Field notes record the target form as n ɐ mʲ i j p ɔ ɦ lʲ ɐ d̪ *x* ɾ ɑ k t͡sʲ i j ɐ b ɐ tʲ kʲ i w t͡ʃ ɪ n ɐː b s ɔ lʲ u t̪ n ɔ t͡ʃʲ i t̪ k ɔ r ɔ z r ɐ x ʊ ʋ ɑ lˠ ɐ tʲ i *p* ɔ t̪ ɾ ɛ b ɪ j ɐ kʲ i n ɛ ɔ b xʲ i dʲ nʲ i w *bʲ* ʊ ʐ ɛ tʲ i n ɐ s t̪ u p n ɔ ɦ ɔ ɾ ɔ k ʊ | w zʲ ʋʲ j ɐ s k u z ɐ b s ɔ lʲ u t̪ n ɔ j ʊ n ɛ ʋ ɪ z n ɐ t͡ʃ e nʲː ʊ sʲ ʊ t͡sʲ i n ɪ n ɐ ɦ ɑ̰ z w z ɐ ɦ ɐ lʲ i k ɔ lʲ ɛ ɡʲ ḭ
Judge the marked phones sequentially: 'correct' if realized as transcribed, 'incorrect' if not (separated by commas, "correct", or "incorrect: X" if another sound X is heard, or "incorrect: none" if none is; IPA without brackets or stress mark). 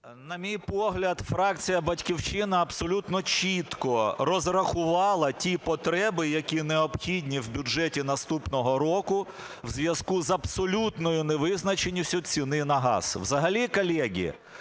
incorrect: f, correct, correct